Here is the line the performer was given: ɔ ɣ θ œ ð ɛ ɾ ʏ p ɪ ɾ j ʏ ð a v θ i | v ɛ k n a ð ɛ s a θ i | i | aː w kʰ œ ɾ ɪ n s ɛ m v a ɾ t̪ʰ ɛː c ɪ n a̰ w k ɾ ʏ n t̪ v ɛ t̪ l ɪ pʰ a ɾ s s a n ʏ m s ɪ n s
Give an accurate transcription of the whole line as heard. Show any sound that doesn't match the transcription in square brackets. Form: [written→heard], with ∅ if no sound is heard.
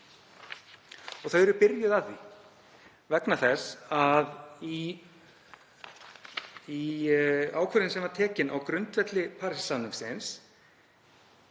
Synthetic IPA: ɔ ɣ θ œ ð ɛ ɾ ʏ p ɪ ɾ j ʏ ð a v θ i | v ɛ k n a [ð→θ] ɛ s a [θ→ð] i | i | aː w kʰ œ ɾ ɪ n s ɛ m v a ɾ t̪ʰ ɛː c ɪ n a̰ w k ɾ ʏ n t̪ v ɛ t̪ l ɪ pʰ a ɾ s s a n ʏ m s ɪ n s

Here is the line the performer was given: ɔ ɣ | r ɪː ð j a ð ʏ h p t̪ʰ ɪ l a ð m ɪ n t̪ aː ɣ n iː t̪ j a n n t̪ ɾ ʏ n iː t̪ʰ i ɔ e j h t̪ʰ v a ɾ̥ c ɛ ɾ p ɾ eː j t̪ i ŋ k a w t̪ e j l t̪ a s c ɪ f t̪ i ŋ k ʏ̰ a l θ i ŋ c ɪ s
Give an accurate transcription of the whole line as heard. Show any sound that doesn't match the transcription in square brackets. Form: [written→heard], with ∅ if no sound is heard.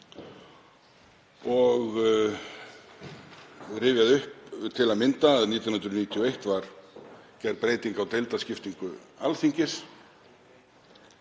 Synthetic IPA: ɔ ɣ | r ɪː [ð→v] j a ð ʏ h p t̪ʰ ɪ l a ð m ɪ n t̪ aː [ɣ→ð] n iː t̪ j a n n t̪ ɾ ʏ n iː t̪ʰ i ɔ e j h [t̪ʰ→t̪] v a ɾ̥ c ɛ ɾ p ɾ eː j t̪ i ŋ k a w t̪ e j l t̪ a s c ɪ f t̪ i ŋ k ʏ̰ a l θ i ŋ c ɪ s

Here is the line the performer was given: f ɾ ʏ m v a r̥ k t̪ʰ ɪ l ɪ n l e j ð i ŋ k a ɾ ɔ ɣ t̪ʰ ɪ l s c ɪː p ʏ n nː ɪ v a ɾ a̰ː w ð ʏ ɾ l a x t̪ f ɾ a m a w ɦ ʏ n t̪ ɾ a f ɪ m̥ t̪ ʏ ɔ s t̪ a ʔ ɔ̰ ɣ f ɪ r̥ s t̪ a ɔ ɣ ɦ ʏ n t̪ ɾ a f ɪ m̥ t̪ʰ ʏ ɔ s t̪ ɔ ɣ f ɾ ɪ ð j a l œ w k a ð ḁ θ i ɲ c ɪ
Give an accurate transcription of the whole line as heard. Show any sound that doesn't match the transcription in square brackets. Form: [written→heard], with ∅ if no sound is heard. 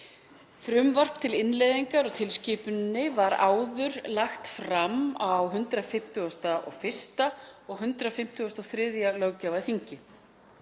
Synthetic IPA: f ɾ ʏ m v a r̥ [k→p] t̪ʰ ɪ l ɪ n l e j ð i ŋ k a ɾ ɔ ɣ t̪ʰ ɪ l s c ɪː p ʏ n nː ɪ v a ɾ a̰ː w ð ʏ ɾ l a x t̪ f ɾ a m a w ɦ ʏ n t̪ ɾ a f ɪ m̥ t̪ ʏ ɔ s t̪ a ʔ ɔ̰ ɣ f ɪ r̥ s t̪ a ɔ ɣ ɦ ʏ n t̪ ɾ a f ɪ m̥ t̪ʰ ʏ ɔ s t̪ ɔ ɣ [f→θ] ɾ ɪ ð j a l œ w [k→c] a [ð→v] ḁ θ i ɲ c ɪ

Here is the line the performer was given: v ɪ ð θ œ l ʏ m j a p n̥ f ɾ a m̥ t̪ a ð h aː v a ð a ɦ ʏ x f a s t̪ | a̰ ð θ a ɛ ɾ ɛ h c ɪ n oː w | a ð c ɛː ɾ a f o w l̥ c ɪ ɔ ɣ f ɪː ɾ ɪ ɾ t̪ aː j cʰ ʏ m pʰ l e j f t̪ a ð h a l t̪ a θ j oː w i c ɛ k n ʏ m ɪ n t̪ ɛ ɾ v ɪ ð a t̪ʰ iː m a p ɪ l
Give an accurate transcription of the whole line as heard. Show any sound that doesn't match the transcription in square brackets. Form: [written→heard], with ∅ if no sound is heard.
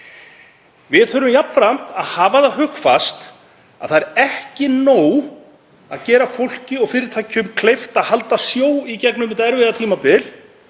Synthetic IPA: v ɪ ð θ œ [l→ɾ] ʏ m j a p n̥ f ɾ a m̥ t̪ a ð h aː v a ð a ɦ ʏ x f a s t̪ | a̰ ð θ a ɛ ɾ ɛ h c ɪ n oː w | a ð c ɛː ɾ a f o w l̥ c ɪ ɔ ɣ f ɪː ɾ ɪ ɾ [t̪→t̪ʰ] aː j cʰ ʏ m [pʰ→kʰ] l e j f t̪ a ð h a l t̪ a [θ→s] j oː w i c ɛ k n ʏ m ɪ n t̪ ɛ ɾ v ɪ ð a t̪ʰ iː m a p ɪ l

